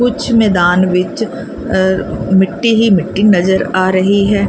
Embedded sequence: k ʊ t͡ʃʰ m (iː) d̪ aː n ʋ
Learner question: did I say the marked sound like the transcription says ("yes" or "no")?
no